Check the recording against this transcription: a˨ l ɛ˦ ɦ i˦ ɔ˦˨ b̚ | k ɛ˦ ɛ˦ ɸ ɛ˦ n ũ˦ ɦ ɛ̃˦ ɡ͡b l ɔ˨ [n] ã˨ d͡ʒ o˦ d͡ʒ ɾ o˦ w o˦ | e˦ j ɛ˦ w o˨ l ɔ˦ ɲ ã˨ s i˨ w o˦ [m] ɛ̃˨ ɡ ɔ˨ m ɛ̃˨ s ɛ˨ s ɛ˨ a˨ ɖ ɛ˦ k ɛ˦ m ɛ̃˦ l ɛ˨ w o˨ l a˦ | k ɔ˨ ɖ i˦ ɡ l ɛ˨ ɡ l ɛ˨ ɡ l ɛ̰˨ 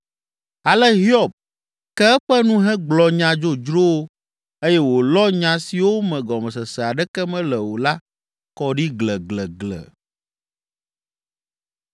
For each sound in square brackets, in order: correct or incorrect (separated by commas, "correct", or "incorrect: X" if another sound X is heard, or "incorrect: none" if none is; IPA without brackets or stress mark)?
incorrect: ɲ, correct